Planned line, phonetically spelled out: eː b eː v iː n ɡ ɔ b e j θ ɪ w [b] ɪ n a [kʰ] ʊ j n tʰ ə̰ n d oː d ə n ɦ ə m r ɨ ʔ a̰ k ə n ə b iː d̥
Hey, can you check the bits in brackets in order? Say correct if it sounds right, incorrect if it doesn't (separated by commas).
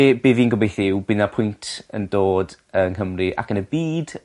correct, incorrect